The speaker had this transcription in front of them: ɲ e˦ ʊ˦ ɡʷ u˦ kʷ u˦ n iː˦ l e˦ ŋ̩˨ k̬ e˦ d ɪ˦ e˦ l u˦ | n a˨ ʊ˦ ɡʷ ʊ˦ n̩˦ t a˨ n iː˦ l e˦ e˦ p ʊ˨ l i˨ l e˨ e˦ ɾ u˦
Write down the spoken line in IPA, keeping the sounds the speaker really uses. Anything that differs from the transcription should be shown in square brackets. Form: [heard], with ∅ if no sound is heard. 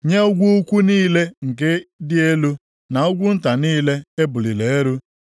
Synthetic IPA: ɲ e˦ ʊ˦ ɡʷ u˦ kʷ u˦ n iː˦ l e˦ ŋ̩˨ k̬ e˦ d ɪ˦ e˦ l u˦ | n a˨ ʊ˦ ɡʷ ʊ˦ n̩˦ t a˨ n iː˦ l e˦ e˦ [b] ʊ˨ l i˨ l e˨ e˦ ɾ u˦